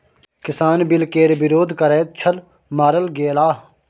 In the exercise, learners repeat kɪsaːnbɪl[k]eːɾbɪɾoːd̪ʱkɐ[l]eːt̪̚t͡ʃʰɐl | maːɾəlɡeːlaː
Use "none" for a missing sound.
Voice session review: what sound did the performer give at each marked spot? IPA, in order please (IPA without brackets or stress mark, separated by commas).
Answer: k, ɾ